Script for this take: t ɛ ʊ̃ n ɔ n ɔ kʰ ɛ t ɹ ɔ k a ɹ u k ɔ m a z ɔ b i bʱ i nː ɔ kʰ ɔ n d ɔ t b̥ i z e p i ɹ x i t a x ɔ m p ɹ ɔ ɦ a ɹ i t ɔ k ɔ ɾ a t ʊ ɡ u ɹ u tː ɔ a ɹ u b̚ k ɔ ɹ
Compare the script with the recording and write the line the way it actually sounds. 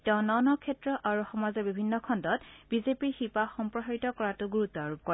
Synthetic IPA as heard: t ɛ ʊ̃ n ɔ n ɔ kʰ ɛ t ɹ ɔ ʔ a ɹ u x ɔ m a z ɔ b i bʱ i nː ɔ kʰ ɔ n d ɔ t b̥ i z e p i ɹ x i p a x ɔ m p ɹ ɔ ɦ a ɹ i t ɔ k ɔ ɹ a t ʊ ɡ u ɹ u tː ɔ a ɹ u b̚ k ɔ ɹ